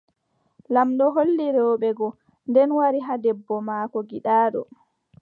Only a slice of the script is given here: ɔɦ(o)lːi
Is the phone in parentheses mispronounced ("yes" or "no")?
no